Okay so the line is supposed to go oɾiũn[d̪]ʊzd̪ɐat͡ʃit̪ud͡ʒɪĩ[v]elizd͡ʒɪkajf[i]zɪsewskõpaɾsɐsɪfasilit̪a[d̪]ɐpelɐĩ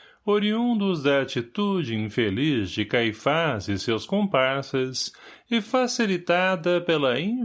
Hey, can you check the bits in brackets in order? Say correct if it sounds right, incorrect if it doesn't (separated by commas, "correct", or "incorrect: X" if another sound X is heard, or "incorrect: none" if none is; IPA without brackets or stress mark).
correct, incorrect: f, incorrect: a, correct